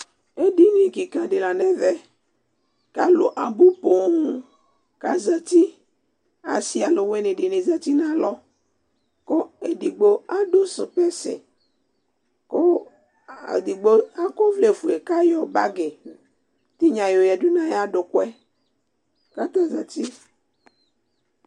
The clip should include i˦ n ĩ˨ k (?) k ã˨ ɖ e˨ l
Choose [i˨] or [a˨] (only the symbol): i˨